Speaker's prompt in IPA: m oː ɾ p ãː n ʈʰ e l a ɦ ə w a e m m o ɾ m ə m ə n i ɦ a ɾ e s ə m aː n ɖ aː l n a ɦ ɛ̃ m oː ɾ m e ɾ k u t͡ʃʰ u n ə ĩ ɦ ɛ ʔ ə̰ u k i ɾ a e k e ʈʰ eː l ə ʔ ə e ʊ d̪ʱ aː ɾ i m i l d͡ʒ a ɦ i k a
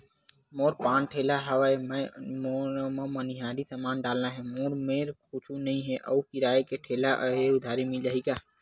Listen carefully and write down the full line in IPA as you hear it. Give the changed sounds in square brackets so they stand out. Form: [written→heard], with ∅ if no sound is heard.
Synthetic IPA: m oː ɾ p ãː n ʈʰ e l a ɦ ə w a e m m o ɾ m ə m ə n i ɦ a ɾ [e→i] s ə m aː n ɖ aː l n a ɦ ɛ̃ m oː ɾ m e ɾ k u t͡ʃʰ u n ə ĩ ɦ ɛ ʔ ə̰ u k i ɾ a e k e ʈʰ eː l [ə→a] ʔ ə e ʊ d̪ʱ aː ɾ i m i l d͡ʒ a ɦ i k a